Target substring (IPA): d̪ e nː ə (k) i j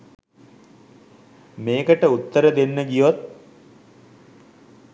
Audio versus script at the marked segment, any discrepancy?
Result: yes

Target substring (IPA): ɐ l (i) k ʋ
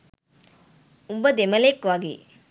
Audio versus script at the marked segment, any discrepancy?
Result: yes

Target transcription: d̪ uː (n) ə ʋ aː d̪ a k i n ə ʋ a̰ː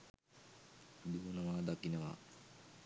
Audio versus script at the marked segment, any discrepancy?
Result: no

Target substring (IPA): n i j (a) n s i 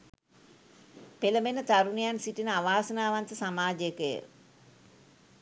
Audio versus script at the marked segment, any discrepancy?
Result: no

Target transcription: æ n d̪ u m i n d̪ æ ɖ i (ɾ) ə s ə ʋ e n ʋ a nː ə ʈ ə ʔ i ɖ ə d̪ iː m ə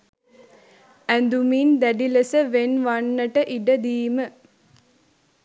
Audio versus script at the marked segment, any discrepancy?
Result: yes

